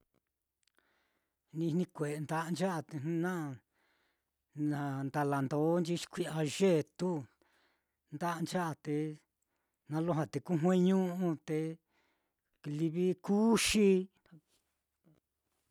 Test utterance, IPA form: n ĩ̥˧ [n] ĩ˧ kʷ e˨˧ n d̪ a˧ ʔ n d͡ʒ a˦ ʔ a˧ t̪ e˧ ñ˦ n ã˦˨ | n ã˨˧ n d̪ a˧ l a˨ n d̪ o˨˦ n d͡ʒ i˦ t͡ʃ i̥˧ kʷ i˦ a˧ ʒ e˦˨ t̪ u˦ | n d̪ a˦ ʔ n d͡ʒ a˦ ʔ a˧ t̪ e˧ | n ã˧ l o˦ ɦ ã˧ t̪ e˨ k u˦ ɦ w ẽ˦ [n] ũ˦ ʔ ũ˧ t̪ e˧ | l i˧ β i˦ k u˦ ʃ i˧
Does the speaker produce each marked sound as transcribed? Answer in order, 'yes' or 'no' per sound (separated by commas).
yes, no